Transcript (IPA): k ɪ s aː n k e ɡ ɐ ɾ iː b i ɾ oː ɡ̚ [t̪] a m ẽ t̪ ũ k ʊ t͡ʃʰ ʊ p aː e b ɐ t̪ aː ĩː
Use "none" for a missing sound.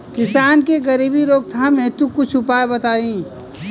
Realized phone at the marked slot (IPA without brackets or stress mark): t̪ʰ